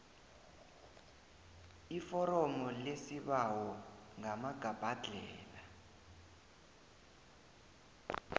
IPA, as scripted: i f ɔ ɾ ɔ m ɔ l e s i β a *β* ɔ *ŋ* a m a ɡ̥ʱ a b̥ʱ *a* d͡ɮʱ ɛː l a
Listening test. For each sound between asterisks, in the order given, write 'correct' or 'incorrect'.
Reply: incorrect: w, correct, correct

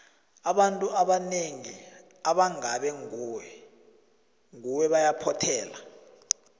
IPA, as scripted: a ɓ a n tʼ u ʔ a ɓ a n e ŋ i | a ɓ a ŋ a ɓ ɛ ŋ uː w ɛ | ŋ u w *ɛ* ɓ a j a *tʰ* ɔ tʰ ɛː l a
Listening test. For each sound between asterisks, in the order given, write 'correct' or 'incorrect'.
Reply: correct, incorrect: pʰ

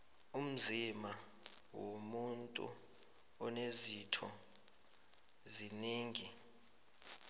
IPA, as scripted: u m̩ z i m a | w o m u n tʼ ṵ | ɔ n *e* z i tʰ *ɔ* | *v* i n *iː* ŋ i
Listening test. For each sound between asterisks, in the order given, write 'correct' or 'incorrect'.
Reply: correct, correct, incorrect: z, correct

